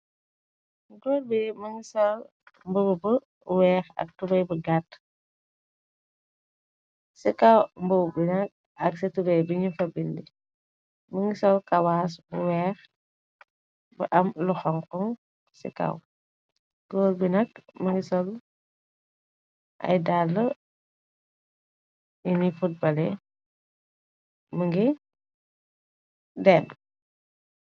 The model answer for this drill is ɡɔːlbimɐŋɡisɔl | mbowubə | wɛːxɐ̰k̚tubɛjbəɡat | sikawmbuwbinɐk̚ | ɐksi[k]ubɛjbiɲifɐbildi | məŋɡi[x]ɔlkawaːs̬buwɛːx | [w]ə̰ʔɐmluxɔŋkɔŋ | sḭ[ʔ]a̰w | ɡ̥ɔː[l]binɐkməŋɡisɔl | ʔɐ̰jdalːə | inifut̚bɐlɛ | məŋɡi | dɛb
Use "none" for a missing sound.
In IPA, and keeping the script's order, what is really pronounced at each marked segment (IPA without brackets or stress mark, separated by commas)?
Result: t, s, b, k, l